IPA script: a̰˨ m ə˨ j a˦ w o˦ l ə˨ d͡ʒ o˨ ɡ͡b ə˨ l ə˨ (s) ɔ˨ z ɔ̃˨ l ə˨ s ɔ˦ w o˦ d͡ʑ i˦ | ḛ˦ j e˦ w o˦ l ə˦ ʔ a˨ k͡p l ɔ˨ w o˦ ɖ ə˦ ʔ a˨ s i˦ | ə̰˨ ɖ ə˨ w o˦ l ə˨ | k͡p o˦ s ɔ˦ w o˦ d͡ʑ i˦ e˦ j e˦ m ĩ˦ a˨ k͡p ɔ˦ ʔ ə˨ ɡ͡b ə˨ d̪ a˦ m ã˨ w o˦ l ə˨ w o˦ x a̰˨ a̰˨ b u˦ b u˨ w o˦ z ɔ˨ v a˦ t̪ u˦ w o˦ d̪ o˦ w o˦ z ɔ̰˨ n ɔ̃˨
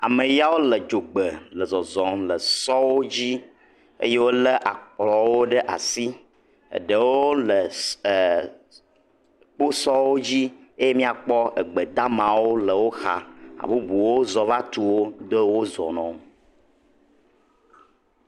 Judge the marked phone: incorrect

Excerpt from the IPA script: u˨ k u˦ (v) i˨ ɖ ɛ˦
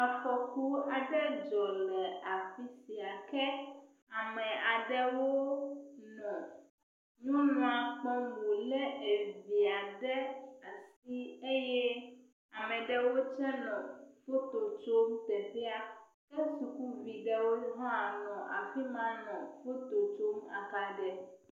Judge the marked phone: correct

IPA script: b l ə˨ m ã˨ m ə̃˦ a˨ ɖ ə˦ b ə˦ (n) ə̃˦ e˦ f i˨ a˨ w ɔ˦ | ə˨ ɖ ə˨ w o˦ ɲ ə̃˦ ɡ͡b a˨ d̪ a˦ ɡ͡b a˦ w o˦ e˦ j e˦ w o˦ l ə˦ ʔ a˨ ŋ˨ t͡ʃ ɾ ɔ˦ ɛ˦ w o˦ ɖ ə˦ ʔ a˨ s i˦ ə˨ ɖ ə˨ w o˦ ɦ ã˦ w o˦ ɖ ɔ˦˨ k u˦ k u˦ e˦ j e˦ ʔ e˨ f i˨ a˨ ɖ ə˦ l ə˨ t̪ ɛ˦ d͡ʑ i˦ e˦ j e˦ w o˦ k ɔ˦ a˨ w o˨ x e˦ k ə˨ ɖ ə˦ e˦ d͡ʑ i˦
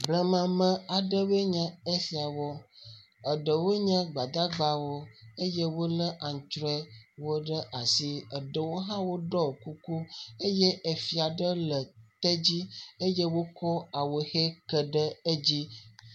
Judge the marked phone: incorrect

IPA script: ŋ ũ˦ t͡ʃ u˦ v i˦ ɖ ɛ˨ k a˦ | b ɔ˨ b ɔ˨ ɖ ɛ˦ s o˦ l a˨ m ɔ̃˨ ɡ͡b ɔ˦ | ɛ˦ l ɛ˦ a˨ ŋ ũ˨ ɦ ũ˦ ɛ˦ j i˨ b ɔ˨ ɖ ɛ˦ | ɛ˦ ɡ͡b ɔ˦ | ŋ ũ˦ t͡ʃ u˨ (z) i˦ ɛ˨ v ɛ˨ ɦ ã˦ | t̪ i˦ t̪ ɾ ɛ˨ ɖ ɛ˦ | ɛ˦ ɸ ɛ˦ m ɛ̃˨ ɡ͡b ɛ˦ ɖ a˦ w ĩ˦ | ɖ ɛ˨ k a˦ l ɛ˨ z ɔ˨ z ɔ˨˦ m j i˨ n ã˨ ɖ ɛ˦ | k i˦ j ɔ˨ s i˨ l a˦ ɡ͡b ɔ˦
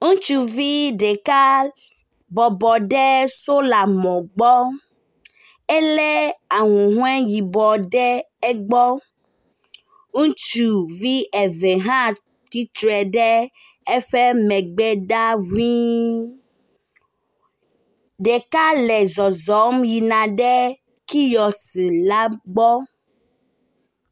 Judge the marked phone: incorrect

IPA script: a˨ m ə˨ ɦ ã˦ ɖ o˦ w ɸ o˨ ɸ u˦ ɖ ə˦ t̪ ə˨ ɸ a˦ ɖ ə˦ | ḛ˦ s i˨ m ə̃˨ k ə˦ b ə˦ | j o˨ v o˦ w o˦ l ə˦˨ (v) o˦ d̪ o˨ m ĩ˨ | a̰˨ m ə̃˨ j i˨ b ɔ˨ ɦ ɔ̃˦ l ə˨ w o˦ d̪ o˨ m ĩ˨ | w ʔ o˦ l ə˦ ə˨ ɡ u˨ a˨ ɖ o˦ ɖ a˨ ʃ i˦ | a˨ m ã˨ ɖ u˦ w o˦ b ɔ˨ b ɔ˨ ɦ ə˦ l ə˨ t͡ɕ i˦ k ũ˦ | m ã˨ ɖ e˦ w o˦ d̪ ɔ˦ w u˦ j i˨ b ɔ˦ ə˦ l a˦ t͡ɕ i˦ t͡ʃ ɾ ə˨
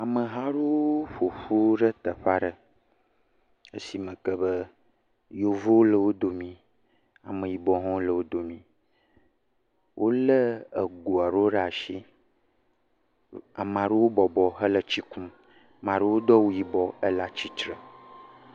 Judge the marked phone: incorrect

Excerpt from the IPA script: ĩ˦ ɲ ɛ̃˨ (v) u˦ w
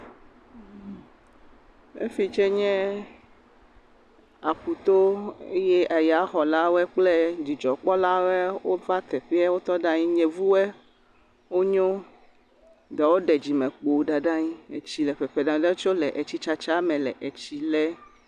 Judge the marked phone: correct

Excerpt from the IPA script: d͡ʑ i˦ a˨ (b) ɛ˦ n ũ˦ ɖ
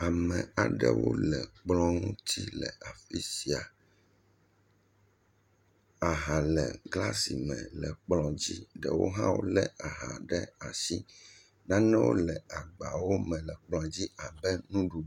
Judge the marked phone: correct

